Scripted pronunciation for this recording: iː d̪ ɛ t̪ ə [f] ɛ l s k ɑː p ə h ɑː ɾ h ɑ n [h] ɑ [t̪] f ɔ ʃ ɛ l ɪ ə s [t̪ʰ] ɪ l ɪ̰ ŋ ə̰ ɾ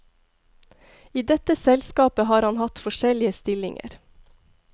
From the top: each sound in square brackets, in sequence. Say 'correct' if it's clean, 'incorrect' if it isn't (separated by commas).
incorrect, correct, correct, incorrect